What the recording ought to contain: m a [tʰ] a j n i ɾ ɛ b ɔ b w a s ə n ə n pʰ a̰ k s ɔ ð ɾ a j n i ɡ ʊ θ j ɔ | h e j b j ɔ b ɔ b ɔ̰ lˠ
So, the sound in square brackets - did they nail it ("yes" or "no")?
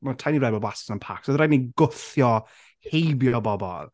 yes